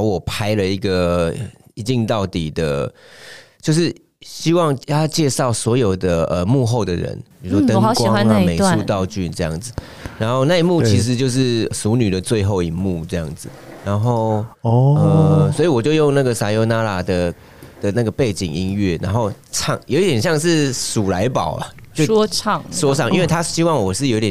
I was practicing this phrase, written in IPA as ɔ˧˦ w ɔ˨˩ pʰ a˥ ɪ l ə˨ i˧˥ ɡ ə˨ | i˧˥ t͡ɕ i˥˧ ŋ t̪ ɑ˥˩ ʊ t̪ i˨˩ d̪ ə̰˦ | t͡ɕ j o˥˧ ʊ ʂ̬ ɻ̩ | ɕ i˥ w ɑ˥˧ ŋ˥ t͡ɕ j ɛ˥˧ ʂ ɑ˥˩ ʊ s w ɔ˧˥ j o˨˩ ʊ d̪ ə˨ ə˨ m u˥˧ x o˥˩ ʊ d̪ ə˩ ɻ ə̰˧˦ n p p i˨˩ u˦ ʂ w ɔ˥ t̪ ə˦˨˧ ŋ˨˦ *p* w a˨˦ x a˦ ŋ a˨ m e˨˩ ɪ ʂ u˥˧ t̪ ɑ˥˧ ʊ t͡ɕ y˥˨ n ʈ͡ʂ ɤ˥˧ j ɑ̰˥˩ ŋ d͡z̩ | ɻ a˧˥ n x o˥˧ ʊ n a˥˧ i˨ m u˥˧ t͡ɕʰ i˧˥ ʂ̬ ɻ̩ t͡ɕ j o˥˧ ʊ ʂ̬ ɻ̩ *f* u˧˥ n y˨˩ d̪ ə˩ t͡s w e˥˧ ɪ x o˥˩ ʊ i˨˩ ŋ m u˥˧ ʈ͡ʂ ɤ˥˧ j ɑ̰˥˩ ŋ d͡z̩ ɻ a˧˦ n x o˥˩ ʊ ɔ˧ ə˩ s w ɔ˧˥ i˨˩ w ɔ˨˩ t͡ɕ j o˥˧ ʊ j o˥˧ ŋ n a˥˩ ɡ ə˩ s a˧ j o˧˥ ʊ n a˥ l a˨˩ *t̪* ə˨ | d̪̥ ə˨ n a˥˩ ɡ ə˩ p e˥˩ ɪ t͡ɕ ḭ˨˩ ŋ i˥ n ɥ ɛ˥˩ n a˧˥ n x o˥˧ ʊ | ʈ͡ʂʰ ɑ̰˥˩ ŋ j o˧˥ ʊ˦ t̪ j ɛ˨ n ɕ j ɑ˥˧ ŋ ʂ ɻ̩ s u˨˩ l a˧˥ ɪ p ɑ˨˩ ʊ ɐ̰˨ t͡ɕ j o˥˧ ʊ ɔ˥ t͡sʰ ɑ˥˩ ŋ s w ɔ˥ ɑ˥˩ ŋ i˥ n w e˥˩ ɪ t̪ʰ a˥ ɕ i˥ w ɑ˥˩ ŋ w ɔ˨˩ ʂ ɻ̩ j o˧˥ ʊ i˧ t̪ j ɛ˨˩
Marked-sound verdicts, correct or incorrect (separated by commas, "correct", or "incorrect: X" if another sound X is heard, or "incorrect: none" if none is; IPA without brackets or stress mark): incorrect: k, incorrect: s, incorrect: d̪